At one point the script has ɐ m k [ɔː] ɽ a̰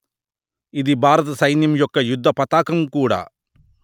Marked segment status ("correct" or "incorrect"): incorrect